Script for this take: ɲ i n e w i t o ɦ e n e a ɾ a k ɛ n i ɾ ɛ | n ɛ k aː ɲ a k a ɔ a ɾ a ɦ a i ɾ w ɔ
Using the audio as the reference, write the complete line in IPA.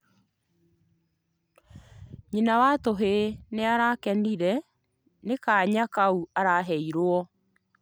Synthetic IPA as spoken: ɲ i n a w a t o ɦ e n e a ɾ a k ɛ n i ɾ ɛ | n e k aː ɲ a k a u a ɾ a ɦ ɛ i ɾ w ɔ